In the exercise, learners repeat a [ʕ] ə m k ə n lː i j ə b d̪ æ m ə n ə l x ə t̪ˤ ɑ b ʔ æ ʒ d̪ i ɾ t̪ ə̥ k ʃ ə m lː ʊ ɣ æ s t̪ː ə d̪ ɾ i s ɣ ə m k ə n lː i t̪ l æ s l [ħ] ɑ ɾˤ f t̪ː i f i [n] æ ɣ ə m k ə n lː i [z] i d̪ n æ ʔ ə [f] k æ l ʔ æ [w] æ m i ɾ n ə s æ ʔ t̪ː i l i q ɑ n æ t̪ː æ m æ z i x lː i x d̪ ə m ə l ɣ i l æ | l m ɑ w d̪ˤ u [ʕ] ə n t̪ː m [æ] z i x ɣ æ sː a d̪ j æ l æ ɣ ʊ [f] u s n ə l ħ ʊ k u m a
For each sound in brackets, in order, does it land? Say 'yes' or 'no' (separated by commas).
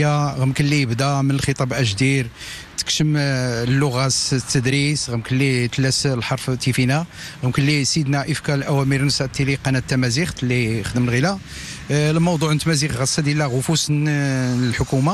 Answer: no, yes, yes, no, yes, yes, yes, yes, yes